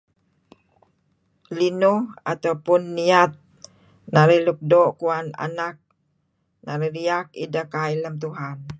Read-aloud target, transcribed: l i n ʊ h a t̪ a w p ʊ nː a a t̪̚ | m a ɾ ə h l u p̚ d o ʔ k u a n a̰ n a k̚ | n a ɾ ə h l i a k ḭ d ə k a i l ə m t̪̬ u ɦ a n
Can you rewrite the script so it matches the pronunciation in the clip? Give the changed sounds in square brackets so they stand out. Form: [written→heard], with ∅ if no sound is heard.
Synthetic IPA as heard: l i n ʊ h a t̪ a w p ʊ nː [a→i] a t̪̚ | [m→n] a ɾ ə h l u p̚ d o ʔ k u a n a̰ n a k̚ | n a ɾ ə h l i a k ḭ d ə k a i l ə m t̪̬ u ɦ a n